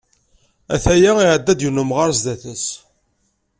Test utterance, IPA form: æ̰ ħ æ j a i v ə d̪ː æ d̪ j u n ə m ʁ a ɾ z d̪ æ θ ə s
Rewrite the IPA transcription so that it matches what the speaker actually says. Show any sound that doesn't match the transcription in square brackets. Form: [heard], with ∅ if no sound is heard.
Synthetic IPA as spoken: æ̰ [θ] æ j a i [ʕ] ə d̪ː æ d̪ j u n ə m ʁ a ɾ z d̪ æ θ ə s